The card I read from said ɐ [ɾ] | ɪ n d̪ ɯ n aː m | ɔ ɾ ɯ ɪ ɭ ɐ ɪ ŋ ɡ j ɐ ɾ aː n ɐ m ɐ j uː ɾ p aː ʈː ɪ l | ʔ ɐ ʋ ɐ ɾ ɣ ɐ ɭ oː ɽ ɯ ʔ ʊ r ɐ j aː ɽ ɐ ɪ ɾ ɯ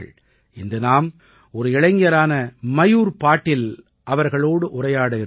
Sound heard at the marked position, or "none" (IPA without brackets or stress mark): ɭ